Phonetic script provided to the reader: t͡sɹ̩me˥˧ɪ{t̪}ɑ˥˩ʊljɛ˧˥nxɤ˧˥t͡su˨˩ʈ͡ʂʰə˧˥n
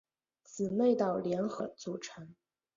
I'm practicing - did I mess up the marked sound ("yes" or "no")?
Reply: no